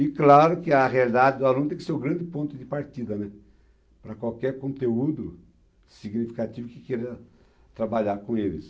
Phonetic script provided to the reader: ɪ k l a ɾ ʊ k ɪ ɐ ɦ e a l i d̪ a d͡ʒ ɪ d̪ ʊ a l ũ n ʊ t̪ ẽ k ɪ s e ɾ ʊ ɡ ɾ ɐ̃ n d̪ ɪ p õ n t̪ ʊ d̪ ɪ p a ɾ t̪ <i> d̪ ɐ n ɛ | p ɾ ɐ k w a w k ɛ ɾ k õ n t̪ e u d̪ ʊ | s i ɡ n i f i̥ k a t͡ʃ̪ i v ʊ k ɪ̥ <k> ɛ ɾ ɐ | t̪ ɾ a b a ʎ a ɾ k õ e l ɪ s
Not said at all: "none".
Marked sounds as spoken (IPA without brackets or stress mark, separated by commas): i, k